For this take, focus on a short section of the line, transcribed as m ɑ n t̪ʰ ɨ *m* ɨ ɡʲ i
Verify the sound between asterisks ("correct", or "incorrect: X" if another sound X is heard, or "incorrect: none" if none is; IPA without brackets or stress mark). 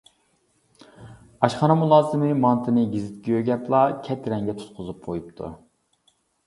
incorrect: n